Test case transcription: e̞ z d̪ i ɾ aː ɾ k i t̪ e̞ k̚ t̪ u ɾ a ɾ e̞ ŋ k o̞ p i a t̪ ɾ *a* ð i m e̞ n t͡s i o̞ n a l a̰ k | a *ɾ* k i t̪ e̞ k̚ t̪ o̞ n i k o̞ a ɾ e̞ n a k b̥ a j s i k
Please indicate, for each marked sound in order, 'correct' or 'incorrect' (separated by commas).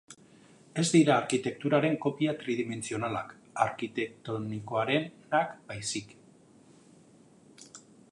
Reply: incorrect, correct